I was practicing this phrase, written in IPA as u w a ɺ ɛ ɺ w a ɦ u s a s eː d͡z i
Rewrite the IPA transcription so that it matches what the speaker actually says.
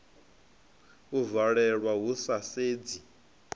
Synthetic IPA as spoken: u v a ɺ ɛ ɺ w a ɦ u s a s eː d͡z i